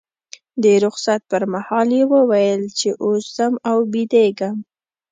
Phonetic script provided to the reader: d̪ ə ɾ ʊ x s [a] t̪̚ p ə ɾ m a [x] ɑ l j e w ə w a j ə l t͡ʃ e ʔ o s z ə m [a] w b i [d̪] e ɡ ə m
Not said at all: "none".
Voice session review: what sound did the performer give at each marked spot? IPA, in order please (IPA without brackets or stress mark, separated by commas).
a, h, a, d̪